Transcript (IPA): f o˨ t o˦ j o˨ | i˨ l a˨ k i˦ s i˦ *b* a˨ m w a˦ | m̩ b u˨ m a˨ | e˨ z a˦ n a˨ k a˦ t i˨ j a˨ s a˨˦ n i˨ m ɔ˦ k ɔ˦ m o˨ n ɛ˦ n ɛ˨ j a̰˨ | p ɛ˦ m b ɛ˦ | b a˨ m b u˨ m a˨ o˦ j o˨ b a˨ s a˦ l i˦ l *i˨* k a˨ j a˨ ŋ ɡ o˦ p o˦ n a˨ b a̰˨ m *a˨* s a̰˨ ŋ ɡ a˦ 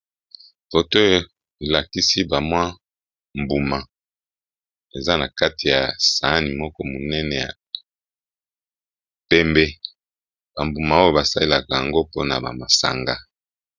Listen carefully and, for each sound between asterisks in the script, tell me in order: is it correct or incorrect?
correct, incorrect: a˨, correct

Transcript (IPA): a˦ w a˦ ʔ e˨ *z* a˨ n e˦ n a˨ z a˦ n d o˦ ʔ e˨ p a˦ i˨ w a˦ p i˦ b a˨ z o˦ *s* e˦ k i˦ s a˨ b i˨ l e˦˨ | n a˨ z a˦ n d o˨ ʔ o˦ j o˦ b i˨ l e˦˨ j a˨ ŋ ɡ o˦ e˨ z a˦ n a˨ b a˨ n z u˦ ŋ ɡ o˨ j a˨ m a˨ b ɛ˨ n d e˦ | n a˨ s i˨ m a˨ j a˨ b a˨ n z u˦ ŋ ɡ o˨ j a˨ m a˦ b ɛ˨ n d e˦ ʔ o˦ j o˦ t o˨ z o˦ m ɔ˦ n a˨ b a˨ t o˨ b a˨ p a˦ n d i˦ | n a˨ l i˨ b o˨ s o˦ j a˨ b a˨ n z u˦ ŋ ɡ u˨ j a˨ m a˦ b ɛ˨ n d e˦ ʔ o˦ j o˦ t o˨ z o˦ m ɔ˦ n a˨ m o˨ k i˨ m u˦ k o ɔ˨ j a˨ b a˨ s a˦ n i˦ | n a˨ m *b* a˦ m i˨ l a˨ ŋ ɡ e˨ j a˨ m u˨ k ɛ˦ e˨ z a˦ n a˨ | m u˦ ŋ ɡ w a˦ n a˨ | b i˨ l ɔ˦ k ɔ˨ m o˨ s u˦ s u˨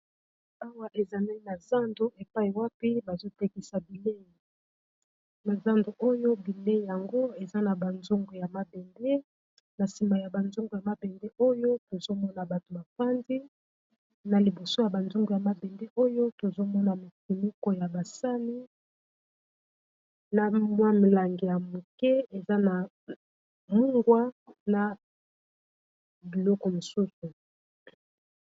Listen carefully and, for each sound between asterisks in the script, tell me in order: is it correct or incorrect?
correct, incorrect: t, incorrect: w

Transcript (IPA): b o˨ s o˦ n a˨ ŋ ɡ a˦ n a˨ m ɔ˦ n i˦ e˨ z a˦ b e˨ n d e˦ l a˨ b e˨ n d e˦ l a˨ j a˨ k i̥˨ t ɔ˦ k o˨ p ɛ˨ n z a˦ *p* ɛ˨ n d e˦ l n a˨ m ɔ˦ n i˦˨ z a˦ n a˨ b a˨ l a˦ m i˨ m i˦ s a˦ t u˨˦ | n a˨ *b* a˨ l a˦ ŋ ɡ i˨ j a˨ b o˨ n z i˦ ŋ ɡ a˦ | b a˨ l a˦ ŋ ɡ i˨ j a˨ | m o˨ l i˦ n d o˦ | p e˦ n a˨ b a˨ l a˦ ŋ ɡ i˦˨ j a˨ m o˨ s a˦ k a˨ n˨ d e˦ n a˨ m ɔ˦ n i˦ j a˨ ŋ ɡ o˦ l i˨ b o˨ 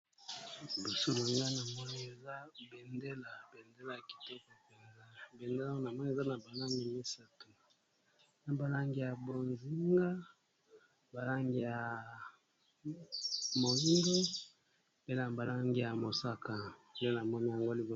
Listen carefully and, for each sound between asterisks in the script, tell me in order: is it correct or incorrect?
incorrect: b, correct

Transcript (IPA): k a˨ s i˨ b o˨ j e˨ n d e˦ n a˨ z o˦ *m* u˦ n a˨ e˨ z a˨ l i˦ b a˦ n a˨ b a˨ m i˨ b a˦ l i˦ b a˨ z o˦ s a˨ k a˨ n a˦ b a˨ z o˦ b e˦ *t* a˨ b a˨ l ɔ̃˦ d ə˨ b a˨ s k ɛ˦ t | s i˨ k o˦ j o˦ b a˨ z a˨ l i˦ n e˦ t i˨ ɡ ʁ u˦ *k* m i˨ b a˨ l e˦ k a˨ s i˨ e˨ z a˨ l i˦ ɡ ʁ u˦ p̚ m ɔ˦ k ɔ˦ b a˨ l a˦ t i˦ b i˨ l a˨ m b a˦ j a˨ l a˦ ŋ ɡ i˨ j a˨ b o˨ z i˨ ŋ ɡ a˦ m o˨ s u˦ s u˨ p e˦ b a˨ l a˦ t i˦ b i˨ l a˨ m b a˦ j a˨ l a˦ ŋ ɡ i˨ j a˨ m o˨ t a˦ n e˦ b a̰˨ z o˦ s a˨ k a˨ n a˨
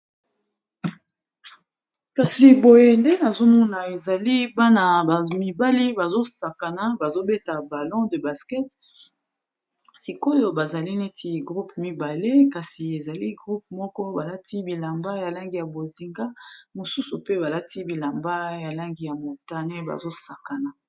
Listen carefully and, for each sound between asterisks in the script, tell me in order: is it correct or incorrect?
correct, correct, incorrect: p

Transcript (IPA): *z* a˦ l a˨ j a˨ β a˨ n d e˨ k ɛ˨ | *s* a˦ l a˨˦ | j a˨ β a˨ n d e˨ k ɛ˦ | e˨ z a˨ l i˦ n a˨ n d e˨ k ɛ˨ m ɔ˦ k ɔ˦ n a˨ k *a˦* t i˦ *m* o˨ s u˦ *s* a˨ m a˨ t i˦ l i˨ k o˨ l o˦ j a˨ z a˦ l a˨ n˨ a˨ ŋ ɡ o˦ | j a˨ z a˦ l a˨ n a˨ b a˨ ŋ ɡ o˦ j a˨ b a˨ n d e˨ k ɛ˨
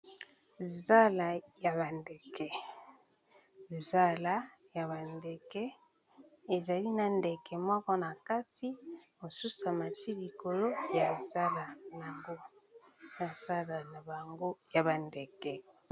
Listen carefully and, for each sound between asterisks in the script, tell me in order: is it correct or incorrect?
correct, incorrect: z, correct, correct, correct

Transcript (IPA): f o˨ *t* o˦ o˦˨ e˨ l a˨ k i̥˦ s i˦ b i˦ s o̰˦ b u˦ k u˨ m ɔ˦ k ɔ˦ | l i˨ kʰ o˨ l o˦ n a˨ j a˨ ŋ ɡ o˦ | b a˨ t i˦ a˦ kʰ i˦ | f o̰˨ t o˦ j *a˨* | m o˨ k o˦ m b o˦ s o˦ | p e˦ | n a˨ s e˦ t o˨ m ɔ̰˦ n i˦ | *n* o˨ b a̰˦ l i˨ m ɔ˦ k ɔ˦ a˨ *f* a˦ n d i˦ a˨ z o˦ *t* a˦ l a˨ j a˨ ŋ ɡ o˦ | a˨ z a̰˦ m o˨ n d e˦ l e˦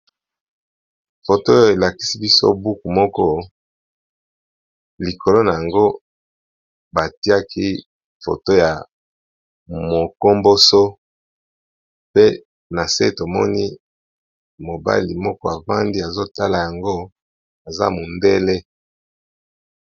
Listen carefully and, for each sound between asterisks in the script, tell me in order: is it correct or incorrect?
correct, correct, incorrect: m, incorrect: v, correct

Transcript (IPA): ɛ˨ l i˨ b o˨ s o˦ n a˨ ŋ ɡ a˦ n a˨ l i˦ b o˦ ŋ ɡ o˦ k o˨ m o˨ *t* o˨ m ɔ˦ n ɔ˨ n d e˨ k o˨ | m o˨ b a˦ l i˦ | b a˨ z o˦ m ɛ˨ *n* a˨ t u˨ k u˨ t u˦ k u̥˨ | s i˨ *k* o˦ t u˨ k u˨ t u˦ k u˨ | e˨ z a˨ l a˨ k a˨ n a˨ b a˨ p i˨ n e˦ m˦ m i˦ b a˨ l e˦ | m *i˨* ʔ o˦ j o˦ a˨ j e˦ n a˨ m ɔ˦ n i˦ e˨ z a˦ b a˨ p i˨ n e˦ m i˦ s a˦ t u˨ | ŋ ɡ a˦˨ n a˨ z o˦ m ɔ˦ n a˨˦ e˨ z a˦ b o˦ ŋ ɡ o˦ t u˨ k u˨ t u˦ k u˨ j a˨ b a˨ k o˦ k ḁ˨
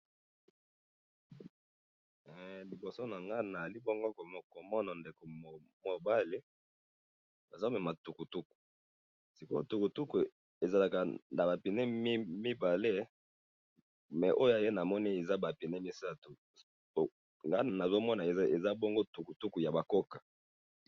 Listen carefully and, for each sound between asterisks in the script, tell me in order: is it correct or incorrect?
incorrect: k, incorrect: m, correct, incorrect: ɛ˨

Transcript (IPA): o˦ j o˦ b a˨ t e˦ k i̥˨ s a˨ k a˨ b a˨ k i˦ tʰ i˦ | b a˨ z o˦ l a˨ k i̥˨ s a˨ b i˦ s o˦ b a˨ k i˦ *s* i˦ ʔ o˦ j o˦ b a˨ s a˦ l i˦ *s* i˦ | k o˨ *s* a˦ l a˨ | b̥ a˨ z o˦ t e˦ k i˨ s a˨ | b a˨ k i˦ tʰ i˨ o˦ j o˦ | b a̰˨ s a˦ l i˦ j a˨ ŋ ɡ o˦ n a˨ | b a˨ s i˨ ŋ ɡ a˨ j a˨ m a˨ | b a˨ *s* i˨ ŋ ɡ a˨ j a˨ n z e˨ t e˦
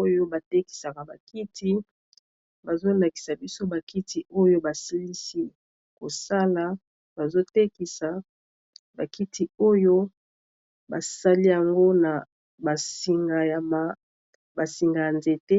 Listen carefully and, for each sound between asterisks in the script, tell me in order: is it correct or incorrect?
incorrect: t, correct, correct, correct

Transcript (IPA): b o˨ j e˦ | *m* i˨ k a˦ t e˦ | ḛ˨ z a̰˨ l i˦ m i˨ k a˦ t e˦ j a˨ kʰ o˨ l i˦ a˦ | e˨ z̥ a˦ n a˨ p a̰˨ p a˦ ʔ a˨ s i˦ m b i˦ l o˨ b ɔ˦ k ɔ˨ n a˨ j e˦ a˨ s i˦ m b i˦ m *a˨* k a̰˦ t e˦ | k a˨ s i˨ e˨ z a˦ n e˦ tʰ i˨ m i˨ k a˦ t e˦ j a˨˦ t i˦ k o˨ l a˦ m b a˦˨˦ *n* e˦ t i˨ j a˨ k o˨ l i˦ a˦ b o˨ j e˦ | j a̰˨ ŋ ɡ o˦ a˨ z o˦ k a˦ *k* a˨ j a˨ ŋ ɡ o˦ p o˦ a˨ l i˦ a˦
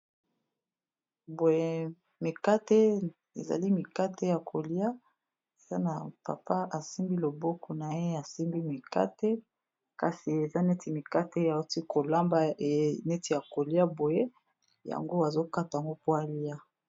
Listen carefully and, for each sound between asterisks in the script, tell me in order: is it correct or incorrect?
correct, incorrect: i˨, correct, incorrect: t

